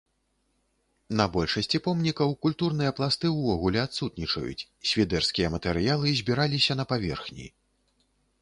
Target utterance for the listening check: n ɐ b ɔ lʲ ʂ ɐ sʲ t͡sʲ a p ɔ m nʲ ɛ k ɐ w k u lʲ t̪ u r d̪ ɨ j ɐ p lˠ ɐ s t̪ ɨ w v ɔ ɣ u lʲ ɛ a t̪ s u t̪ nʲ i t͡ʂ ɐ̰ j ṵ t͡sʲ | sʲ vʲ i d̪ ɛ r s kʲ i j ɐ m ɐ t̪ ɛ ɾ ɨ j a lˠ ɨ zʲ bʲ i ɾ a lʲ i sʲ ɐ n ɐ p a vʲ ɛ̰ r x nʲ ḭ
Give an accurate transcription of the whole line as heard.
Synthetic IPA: n ɐ b ɔ lʲ ʂ ɐ sʲ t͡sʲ i p ɔ m nʲ i k ɐ w k u lʲ t̪ u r n̪ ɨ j ɐ p lˠ a s t̪ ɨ w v ɔ ɣ u lʲ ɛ a t̪ s u t̪ nʲ i t͡ʂ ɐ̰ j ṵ t͡sʲ | sʲ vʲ i d̪ ɛ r s kʲ i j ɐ m ɐ t̪ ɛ ɾ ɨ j a lˠ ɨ zʲ bʲ i ɾ a lʲ i sʲ ɐ n ɐ p a vʲ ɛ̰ r x nʲ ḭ